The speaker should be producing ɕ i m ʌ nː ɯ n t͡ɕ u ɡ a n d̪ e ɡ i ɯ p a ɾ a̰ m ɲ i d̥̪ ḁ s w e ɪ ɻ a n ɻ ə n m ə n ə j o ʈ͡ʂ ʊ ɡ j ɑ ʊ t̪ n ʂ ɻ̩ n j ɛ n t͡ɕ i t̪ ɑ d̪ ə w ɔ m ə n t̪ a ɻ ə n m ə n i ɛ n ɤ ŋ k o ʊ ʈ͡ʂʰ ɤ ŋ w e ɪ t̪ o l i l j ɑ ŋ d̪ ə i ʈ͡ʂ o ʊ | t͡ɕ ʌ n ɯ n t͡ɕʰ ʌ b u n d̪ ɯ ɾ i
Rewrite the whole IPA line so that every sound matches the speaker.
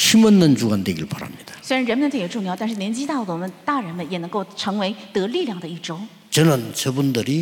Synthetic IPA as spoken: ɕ i m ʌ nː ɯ n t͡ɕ u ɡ a n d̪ e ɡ i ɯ p a ɾ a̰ m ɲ i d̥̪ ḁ s w e ɪ ɻ a n ɻ ə n m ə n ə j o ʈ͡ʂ ʊ ŋ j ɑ ʊ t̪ n ʂ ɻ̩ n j ɛ n t͡ɕ i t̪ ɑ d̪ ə w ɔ m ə n t̪ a ɻ ə n m ə n j ɛ n ɤ ŋ k o ʊ ʈ͡ʂʰ ɤ ŋ w e ɪ t̪ ɤ l i l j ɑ ŋ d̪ ə i ʈ͡ʂ o ʊ | t͡ɕ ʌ n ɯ n t͡ɕ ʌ b u n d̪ ɯ ɾ i